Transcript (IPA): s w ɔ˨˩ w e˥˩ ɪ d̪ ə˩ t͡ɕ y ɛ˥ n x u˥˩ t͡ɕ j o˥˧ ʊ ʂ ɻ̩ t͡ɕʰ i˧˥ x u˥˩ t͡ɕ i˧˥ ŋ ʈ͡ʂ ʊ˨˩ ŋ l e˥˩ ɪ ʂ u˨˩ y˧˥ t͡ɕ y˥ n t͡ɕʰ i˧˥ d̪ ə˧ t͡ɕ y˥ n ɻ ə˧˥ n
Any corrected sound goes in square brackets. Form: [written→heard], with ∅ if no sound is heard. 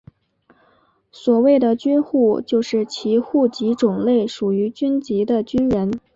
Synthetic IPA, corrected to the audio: s w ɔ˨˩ w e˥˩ ɪ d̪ ə˩ t͡ɕ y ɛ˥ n x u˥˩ t͡ɕ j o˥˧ ʊ ʂ ɻ̩ t͡ɕʰ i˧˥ x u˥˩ t͡ɕ i˧˥ [ŋ→∅] ʈ͡ʂ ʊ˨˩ ŋ l e˥˩ ɪ ʂ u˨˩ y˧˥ t͡ɕ y˥ n [t͡ɕʰ→t͡ɕ] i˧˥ d̪ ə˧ t͡ɕ y˥ n ɻ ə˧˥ n